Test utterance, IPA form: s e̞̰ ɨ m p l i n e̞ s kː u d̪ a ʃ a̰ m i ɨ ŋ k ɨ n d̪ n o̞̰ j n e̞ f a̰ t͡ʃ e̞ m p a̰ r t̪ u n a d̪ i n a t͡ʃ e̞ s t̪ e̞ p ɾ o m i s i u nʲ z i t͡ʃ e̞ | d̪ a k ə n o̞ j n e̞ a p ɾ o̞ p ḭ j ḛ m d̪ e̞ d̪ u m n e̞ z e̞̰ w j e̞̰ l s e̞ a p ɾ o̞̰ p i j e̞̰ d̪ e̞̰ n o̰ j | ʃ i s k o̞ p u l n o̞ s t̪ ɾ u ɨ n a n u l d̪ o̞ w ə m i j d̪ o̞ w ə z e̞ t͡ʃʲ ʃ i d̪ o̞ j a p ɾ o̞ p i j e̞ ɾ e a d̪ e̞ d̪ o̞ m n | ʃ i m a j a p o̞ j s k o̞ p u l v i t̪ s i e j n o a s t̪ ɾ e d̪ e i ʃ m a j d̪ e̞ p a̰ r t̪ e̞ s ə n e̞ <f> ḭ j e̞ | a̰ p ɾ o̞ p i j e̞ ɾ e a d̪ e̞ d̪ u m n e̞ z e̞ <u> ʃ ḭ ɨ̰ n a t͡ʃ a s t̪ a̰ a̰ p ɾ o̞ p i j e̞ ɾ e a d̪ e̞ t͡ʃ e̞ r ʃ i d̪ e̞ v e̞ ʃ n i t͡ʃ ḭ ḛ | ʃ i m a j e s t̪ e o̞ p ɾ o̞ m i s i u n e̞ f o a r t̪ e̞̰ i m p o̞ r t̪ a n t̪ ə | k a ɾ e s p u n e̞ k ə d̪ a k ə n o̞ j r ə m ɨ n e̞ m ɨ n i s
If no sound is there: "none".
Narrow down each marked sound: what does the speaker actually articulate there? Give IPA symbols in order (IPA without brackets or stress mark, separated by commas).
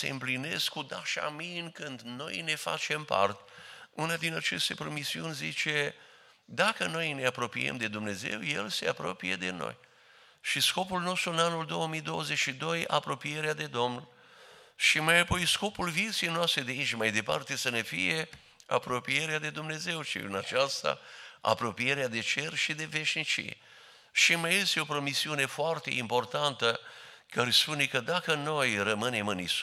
f, w